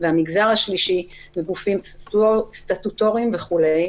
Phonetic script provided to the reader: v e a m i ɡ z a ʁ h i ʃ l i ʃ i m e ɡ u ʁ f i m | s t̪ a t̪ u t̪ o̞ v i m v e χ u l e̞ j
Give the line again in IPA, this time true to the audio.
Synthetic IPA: v e a m i ɡ z a ʁ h a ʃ l i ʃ i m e ɡ u f i m | s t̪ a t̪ u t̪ o̞ ʁ i m v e χ u l e̞ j

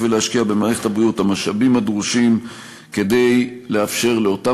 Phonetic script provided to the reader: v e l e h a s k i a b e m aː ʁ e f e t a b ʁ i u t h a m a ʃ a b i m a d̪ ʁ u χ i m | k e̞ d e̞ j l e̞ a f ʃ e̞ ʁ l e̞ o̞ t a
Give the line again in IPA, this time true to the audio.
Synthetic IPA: v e l e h a ʃ k i a b e m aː ʁ e χ e t a b ʁ i u t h a m a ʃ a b i m a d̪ ʁ u ʃ i m | k e̞ d e̞ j l e̞ a f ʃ e̞ ʁ l e̞ o̞ t a

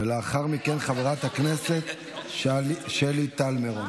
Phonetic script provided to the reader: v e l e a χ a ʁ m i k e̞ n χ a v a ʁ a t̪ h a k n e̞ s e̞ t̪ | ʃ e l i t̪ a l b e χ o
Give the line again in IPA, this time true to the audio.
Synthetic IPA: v e l e a χ a ʁ m i k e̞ n χ a v e ʁ a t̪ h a k n e̞ s e̞ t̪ | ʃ e l i t̪ a l m e ʁ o

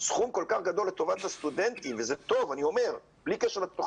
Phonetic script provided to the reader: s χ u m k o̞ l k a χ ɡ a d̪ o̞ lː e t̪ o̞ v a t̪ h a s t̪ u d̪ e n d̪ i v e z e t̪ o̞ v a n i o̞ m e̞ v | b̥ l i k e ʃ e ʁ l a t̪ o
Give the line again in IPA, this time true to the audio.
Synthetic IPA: s χ u m k o̞ l k a χ ɡ a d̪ o̞ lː e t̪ o̞ v a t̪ h a s t̪ u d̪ e n t̪ i v e z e t̪ o̞ v a n i o̞ m e̞ ʁ | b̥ l i k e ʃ e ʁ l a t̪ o

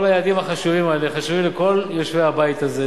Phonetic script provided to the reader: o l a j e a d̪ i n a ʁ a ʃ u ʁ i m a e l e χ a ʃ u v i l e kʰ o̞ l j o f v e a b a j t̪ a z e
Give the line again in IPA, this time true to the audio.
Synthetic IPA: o l a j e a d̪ i m a χ a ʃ u v i m a e l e χ a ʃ u v i l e k o̞ l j o ʃ v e a b a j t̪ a z e

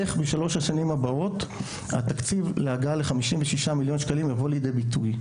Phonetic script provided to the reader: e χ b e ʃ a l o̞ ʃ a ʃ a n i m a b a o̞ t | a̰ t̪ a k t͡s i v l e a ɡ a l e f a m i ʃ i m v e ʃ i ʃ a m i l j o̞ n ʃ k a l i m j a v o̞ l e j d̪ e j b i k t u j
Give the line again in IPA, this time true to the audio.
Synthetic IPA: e χ b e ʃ a l o̞ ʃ a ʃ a n i m a b a o̞ t | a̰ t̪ a k t͡s i v l e a ɡ a l e χ a m i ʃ i m v e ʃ i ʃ a m i l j o̞ n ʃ k a l i m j a v o̞ l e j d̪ e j b i t u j

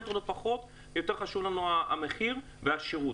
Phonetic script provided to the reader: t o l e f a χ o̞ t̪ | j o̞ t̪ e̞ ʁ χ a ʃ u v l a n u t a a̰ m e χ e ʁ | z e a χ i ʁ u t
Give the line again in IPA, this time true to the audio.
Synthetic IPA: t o l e f a χ o̞ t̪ | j o̞ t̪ e̞ ʁ χ a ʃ u v l a n u a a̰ m e χ i ʁ | v e a ʃ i ʁ u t

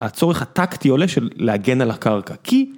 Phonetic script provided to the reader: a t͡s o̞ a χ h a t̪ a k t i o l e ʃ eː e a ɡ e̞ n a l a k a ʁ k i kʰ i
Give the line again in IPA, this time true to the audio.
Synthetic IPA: a t͡s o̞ e χ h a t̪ a k t i o l e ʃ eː e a ɡ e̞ n a l a k a ʁ k a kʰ i

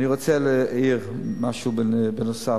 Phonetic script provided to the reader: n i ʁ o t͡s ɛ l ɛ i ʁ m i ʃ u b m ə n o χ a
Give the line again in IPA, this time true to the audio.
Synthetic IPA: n i ʁ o t͡s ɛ l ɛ i ʁ m a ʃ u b b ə n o s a

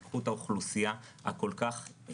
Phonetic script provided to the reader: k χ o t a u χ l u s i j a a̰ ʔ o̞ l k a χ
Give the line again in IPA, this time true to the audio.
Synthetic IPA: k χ u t a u χ l u s i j a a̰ k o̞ l k a χ

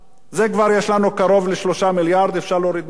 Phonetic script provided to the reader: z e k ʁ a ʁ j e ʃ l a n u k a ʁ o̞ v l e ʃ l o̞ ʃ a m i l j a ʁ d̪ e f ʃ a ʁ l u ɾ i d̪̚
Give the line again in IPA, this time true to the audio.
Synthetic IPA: z e k v a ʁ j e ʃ l a n u k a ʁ o̞ v l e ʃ l o̞ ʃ a m i l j a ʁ d̪ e f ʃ a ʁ l o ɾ i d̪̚

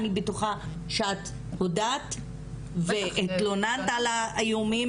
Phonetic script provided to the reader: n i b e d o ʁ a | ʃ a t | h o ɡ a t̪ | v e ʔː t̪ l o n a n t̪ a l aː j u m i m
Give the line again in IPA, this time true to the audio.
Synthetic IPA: n i b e t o χ a | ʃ a t | h o d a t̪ | v e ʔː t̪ l o n a n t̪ a l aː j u m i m

